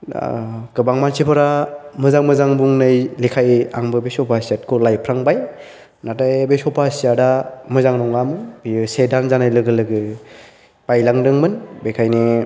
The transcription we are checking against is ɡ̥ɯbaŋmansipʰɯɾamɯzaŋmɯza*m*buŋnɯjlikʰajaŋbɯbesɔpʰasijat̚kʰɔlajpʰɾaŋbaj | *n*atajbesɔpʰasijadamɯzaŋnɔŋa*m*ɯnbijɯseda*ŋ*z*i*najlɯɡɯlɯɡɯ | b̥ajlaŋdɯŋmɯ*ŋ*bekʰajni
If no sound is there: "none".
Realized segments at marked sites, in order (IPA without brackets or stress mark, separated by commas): ŋ, n, m, n, a, n